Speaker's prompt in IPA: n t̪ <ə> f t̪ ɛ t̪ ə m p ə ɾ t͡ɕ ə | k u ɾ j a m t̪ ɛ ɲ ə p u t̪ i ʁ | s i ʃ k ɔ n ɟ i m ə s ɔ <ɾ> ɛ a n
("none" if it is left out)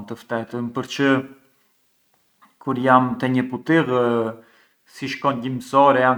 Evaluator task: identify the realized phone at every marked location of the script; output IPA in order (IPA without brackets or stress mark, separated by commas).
ə, ɾ